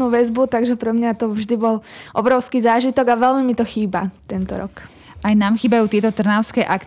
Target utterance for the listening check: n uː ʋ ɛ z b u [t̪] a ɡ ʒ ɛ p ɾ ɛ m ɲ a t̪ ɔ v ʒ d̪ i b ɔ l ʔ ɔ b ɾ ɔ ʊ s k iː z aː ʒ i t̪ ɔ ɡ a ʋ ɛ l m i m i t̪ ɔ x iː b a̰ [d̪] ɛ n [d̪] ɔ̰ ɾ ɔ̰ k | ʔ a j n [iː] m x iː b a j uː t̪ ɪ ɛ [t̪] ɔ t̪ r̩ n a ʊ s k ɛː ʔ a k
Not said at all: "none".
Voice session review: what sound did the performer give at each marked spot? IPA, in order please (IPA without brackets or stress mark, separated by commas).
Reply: t̪, t̪, t̪, aː, t̪